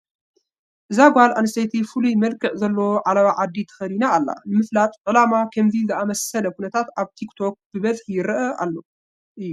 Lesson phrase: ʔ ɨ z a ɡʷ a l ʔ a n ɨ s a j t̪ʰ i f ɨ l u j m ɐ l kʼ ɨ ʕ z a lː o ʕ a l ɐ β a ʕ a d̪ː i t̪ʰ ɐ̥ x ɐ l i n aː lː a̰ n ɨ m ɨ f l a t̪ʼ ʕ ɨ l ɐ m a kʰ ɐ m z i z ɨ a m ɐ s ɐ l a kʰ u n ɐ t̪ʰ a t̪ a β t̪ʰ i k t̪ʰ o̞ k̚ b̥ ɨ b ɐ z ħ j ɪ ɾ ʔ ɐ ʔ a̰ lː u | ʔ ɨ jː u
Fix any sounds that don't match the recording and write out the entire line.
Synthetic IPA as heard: ʔ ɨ z a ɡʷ a l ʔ a n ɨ s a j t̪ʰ i f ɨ l u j m ɐ l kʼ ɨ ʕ z ɐ lː o ʕ a l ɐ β a ʕ a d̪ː i t̪ʰ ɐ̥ x ɐ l i n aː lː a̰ n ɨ m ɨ f l a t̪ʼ ʕ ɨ l a m a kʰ ɐ m z i z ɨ a m ɐ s ɐ l ɐ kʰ u n ɐ t̪ʰ a t̪ a β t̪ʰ i k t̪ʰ o̞ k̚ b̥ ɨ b ɐ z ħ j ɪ ɾ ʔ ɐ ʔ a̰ lː o | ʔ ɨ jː u

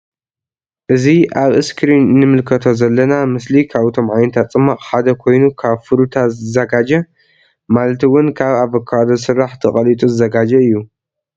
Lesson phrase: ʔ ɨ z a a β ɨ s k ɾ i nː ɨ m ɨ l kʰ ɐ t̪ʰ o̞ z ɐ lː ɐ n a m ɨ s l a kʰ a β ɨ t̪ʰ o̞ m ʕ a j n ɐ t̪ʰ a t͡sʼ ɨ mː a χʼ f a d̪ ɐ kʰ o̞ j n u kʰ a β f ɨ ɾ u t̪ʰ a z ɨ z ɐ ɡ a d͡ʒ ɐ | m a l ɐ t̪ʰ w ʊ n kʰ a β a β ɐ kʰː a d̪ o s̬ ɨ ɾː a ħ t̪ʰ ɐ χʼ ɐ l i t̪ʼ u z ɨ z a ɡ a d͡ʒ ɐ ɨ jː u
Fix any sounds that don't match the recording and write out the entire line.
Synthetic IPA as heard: ʔ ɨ z i a β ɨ s k ɾ i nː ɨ m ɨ l kʰ ɐ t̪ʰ o̞ z ɐ lː ɐ n a m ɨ s l i kʰ a β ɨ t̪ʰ o̞ m ʕ a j n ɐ t̪ʰ a t͡sʼ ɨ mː a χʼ ħ a d̪ ɐ kʰ o̞ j n u kʰ a β f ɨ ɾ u t̪ʰ a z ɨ z ɐ ɡ a d͡ʒ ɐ | m a l ɐ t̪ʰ w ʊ n kʰ a β a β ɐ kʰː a d̪ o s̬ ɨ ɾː a ħ t̪ʰ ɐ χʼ ɐ l i t̪ʼ u z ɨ z ɐ ɡ a d͡ʒ ɐ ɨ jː u

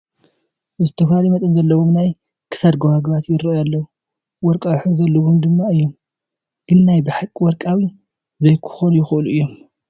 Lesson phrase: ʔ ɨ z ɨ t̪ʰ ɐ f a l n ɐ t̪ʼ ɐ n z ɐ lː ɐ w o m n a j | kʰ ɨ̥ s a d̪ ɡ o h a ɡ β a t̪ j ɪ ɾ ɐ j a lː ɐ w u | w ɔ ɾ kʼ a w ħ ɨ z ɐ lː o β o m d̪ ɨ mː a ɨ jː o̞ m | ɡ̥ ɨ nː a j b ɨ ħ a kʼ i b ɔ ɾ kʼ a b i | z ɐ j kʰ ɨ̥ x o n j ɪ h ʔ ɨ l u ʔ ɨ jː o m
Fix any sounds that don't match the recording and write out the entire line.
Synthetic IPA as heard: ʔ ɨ z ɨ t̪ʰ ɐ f a l m ɐ t̪ʼ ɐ n z ɐ lː ɐ w o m n a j | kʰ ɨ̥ s a d̪ ɡ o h a ɡ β a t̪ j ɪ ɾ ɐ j a lː ɐ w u | w ɔ ɾ kʼ a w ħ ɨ z ɐ lː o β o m d̪ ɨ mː a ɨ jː o̞ m | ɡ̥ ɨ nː a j b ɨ ħ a kʼ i w ɔ ɾ kʼ a w i | z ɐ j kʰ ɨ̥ x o n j ɪ x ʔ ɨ l u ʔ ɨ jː o m

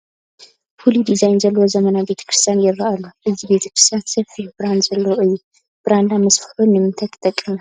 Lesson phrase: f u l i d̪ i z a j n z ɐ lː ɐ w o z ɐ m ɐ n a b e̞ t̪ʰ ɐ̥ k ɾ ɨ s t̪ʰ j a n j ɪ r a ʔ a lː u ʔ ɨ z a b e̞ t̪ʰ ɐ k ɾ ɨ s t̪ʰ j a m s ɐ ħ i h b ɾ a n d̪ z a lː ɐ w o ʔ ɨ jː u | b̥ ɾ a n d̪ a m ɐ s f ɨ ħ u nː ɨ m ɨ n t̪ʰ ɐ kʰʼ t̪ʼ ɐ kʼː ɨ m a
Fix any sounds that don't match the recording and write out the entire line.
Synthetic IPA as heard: f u l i d̪ i z a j n z ɐ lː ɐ w o z ɐ m ɐ n a b e̞ t̪ʰ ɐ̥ k ɾ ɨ s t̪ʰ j a n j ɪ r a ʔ a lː u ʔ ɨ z i b e̞ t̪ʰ ɐ k ɾ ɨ s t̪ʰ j a n s ɐ f i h b ɾ a n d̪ z ɐ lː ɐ w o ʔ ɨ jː u | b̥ ɾ a n d̪ a m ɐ s f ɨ ħ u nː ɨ m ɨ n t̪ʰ ɐ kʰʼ t̪ʼ ɐ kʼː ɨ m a

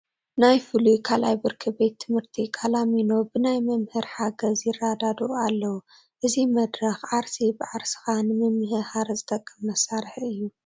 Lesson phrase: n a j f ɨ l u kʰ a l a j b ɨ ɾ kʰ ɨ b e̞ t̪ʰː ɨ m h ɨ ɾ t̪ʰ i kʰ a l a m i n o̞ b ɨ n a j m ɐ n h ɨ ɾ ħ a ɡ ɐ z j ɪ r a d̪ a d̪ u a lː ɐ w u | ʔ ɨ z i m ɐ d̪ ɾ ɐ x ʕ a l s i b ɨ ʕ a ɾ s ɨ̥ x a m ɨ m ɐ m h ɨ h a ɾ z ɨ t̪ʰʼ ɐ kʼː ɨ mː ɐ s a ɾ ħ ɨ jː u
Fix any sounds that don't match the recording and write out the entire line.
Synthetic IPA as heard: n a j f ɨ l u kʰ a l a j b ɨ ɾ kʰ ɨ b e̞ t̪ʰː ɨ m h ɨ ɾ t̪ʰ i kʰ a l a m i n o̞ b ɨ n a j m ɐ m h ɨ ɾ ħ a ɡ ɐ z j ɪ r a d̪ a d̪ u a lː ɐ w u | ʔ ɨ z i m ɐ d̪ ɾ ɐ x ʕ a ɾ s i b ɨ ʕ a ɾ s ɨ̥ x a n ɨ m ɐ m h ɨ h a ɾ z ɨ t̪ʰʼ ɐ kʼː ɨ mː ɐ s a ɾ ħ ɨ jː u

